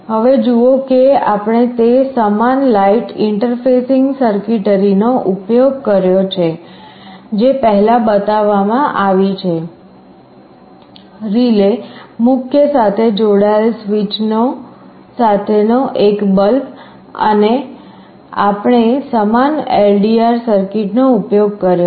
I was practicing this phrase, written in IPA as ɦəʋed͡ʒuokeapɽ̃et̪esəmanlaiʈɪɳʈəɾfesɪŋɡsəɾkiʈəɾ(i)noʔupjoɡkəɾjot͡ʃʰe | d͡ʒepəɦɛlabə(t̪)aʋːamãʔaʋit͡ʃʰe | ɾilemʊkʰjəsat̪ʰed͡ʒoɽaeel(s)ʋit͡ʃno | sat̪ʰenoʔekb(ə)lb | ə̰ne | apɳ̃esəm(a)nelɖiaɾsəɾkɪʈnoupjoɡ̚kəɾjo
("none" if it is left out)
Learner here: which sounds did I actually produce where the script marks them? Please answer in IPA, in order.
i, t̪, s, ə, a

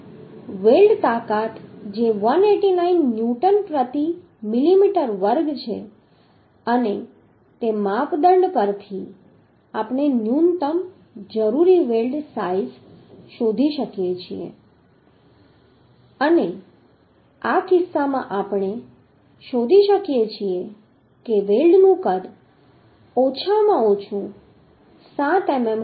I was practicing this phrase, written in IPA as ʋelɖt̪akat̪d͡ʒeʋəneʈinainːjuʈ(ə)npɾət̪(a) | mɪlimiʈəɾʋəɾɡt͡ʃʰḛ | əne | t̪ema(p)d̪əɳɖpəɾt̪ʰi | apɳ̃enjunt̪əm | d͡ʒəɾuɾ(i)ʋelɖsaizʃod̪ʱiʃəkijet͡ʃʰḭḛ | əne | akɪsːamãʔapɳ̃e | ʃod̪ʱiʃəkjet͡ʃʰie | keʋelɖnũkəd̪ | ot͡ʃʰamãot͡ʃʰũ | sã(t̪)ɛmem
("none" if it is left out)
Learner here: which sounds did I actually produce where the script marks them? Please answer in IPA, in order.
ə, i, p, i, t̪

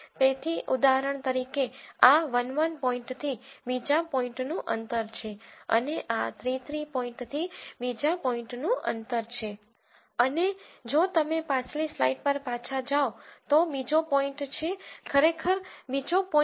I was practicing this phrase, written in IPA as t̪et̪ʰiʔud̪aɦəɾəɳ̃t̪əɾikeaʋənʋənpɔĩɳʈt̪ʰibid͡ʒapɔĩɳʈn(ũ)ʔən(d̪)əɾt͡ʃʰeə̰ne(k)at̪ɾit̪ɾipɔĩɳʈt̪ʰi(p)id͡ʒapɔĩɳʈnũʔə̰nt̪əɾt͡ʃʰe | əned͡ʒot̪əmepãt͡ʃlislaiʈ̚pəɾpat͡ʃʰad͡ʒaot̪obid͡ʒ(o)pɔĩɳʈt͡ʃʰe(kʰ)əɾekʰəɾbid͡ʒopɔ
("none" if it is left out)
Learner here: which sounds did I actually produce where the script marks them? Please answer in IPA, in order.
ũ, t̪, ʔ, b, o, kʰ

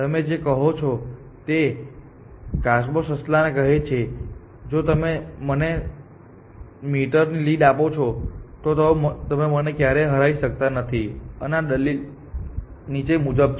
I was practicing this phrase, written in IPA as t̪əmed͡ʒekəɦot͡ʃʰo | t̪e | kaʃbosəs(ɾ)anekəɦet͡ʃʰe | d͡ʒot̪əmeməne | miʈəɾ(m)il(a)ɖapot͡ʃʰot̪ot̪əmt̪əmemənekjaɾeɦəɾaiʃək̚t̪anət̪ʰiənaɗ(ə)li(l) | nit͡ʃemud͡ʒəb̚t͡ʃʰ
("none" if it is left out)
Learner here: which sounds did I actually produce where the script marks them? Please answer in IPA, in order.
l, n, i, ə, l

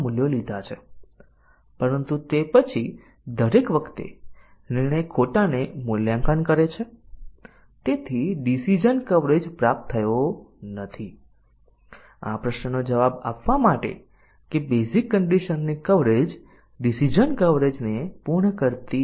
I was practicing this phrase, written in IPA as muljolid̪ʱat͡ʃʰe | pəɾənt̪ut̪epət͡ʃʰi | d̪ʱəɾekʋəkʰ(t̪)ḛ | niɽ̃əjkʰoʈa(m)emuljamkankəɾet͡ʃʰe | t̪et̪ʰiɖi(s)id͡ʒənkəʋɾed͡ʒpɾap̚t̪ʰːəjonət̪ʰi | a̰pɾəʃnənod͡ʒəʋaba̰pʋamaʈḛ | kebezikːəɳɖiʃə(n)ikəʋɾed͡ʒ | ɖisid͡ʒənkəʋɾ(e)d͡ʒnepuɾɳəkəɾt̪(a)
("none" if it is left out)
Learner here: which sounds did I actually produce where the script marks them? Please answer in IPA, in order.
t̪, n, s, nː, e, i

